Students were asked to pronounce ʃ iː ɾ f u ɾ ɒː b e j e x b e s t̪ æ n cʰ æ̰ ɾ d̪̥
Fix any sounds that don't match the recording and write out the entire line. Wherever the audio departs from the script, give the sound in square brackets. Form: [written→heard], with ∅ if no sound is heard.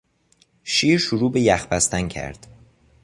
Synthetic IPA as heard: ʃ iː ɾ [f→ʃ] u ɾ [ɒː→uː] b e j [e→æ] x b [e→æ] s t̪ æ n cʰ æ̰ ɾ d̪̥